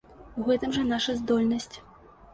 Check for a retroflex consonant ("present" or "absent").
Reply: present